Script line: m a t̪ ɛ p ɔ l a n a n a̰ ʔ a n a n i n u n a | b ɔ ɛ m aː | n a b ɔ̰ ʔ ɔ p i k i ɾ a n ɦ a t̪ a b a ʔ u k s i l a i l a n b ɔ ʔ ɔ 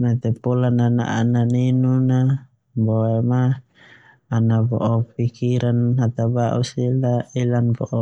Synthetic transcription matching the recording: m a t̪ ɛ p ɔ l a n a n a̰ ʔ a n a n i n u n a | b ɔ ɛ m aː | n a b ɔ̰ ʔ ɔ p i k i ɾ a n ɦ a t̪ a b a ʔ u s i l a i l a n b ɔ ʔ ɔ

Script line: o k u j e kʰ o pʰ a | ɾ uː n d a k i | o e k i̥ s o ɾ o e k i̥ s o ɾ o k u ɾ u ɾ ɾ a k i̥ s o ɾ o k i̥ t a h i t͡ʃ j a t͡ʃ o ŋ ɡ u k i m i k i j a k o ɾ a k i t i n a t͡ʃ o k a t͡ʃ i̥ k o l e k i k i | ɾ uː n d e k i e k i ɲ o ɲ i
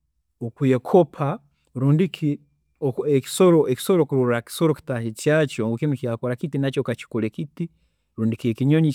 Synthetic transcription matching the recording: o k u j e kʰ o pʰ a | ɾ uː n d i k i | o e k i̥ s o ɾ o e k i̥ s o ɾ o k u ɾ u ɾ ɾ a k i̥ s o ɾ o k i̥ t a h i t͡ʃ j a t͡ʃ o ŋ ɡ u k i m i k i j a k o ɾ a k i t i n a t͡ʃ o k a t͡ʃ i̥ k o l e k i t i | ɾ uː n d i k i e k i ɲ o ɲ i

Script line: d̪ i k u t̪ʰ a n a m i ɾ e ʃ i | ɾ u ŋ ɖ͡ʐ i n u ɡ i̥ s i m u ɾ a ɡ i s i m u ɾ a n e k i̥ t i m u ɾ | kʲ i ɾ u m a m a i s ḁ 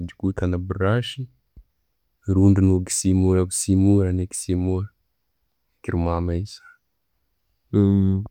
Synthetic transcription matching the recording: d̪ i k u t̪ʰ a n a b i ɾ a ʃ i | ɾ u ɳ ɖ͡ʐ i n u ɡ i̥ s i m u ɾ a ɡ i s i m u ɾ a n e k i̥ s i m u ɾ | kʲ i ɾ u m a m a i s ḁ

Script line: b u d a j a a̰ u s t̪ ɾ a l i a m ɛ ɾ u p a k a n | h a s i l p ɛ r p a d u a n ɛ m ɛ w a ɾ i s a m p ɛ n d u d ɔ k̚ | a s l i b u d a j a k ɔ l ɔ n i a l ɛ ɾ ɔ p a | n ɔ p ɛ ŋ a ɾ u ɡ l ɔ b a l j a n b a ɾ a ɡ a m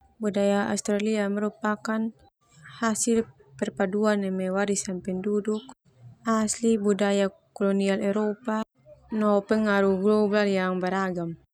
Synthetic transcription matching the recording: b u d a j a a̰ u s t̪ ɾ a l i a m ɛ ɾ u p a k a n | h a s i l p ɛ r p a d u a n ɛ m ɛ w a ɾ i s a m p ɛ n d u d u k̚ | a s l i b u d a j a k ɔ l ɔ n i a l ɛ ɾ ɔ p a | n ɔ p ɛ ŋ a ɾ u ɡ l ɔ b a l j a ŋ b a ɾ a ɡ a m

